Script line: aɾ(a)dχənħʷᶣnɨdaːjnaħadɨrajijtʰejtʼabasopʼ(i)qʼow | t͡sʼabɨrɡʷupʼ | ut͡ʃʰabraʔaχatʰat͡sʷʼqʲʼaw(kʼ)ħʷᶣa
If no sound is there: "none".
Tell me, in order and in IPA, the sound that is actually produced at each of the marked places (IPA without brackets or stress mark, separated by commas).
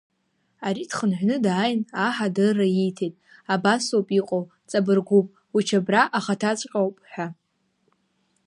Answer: i, i, pʼ